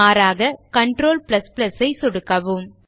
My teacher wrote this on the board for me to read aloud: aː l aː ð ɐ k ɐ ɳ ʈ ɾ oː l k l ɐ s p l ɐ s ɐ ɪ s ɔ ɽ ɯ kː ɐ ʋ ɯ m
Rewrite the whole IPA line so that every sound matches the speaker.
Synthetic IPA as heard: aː ɾ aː ɣ ɐ k ɐ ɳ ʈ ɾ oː l p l ɐ s p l ɐ s ɐ ɪ s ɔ ɽ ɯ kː ɐ ʋ ɯ m